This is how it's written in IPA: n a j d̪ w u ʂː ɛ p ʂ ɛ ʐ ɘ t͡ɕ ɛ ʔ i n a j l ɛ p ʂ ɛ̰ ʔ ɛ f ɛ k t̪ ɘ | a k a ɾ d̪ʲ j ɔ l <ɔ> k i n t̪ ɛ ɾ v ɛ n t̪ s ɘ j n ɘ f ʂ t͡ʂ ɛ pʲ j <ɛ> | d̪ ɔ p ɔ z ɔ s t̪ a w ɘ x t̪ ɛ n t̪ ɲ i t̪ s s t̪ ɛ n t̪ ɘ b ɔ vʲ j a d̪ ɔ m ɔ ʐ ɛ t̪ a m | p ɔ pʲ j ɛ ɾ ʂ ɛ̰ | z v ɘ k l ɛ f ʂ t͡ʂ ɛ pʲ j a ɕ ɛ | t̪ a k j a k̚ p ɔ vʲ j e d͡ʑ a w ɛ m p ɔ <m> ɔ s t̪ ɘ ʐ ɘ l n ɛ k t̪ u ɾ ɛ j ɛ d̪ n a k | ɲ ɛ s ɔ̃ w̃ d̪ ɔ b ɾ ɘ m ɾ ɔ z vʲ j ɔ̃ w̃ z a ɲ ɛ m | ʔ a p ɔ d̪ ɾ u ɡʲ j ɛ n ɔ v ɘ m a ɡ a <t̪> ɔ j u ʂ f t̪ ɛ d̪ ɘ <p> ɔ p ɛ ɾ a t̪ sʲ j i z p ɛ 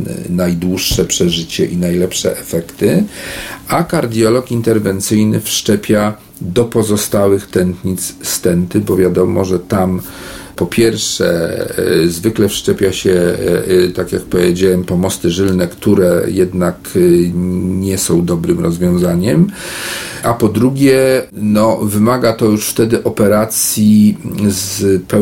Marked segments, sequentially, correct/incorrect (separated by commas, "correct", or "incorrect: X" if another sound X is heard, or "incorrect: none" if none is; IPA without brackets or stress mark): correct, incorrect: a, correct, correct, incorrect: ʔ